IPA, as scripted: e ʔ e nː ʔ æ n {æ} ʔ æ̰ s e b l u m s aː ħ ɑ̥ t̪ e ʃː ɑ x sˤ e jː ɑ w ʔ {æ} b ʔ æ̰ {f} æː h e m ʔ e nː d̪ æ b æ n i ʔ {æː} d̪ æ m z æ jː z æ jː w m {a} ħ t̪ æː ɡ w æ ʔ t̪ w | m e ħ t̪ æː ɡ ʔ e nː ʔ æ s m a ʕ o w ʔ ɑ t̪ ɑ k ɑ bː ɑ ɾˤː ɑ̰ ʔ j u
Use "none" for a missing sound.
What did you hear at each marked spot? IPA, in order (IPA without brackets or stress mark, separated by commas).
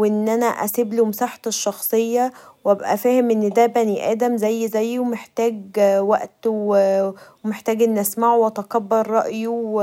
æ, æ, f, æː, e